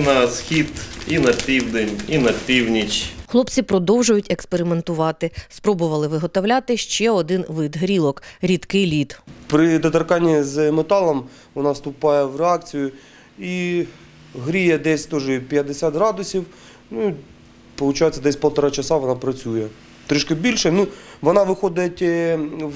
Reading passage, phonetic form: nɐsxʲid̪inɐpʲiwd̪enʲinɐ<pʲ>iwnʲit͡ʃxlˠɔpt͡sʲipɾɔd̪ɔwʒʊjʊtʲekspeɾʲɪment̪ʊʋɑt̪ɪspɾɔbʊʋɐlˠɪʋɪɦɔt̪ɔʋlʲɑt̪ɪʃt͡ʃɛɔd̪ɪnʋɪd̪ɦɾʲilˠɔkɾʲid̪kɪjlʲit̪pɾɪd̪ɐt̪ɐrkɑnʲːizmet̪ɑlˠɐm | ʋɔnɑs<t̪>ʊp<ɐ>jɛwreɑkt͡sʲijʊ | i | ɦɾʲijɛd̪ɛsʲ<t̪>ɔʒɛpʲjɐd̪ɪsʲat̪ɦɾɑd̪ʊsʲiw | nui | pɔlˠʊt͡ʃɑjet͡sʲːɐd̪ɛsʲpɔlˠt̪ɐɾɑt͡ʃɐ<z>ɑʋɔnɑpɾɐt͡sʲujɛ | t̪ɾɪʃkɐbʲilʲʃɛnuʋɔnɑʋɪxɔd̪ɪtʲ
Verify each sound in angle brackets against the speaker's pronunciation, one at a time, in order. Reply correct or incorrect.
correct, correct, incorrect, correct, incorrect

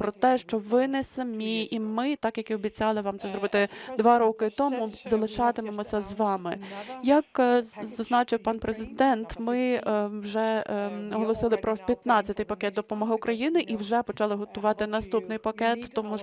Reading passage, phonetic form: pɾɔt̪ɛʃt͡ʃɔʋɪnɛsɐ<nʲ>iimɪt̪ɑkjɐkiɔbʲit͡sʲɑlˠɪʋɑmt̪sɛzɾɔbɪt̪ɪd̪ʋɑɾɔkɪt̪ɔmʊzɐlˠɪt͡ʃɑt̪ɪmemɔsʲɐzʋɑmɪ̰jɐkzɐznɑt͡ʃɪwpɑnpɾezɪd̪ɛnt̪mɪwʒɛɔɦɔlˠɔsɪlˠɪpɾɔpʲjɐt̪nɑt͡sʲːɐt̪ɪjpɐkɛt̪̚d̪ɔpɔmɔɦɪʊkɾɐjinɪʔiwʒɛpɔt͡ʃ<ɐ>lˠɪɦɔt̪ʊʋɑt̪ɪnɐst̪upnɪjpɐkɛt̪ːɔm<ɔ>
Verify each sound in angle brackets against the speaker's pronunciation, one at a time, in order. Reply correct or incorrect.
incorrect, incorrect, incorrect

